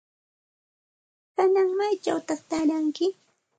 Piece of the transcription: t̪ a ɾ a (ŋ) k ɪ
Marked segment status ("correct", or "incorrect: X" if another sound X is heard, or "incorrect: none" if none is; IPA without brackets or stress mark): correct